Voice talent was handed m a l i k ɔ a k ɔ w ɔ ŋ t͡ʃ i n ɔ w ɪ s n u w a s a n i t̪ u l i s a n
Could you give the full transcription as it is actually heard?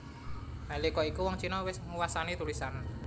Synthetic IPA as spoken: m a l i k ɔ i k u w ɔ ŋ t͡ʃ i n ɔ w ɪ s ŋ u w a s a n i t̪ u l i s a n